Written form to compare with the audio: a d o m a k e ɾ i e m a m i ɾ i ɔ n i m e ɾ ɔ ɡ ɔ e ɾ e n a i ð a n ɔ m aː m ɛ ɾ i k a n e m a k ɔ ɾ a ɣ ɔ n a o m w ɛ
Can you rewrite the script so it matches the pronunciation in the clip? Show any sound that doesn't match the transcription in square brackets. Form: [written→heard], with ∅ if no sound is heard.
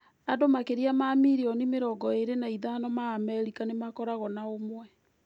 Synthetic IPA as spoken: a d o m a k e ɾ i [e→a] m a m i ɾ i ɔ n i m e ɾ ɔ ɡ ɔ e ɾ e n a i ð a n ɔ m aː m ɛ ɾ i k a n e m a k ɔ ɾ a ɣ ɔ n a o m w ɛ